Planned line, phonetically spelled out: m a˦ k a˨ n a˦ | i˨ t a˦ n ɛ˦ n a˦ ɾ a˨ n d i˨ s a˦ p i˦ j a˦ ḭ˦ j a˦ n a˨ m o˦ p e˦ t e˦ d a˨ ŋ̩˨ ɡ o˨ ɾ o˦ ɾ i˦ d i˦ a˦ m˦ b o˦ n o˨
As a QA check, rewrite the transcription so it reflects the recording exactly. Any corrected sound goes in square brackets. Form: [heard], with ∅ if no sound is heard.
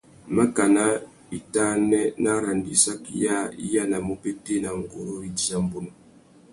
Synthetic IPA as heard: m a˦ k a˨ n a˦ | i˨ t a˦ n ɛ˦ n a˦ ɾ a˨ n d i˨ s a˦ [k] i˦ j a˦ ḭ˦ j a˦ n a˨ m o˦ p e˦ t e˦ [n] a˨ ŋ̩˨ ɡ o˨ ɾ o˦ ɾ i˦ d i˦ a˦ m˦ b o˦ n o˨